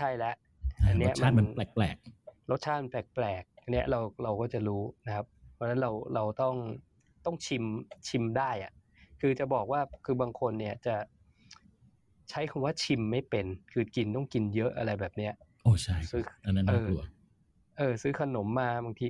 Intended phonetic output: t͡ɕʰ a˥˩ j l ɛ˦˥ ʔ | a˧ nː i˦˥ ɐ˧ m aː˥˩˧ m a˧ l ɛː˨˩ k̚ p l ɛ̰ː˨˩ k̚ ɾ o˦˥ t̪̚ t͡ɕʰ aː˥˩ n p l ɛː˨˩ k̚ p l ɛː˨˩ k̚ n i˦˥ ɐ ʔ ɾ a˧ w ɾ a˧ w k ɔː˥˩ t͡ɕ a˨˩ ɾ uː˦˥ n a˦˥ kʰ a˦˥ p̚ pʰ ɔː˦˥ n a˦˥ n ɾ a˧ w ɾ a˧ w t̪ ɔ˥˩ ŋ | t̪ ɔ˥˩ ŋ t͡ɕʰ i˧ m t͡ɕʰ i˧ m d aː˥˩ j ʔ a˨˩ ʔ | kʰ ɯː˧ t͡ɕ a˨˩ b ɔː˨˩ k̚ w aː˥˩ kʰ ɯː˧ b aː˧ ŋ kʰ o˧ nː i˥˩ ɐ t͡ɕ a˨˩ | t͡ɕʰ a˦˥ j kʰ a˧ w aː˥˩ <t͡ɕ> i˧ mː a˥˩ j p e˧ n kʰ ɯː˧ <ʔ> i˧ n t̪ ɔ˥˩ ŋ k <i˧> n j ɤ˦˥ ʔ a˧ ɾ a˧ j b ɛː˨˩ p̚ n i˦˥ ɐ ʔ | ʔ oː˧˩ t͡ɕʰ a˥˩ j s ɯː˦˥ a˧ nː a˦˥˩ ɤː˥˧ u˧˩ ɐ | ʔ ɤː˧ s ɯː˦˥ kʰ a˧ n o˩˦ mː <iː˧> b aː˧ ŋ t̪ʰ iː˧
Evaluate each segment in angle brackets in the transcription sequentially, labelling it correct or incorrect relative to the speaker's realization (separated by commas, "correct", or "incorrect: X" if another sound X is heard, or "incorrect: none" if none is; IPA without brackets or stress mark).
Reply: incorrect: t͡ɕʰ, incorrect: k, correct, incorrect: aː˧